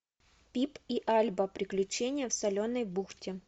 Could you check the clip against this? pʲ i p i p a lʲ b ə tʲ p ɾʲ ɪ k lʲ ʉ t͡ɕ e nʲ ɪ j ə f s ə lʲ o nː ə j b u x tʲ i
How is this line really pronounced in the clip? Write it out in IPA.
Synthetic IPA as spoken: pʲ i p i ʔ a lʲ b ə p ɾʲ ɪ k lʲ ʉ t͡ɕ e nʲ ɪ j ə f s ɐ lʲ o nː ə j b u x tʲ ɪ